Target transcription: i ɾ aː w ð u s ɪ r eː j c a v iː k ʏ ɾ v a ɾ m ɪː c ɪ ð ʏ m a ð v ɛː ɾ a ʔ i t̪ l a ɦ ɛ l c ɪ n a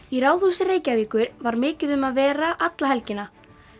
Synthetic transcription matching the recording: i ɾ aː w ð u s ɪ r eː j c a v iː k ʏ ɾ v a ɾ m ɪː c ɪ ð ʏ m a ð v ɛː ɾ a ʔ a t̪ l a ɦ ɛ l c ɪ n a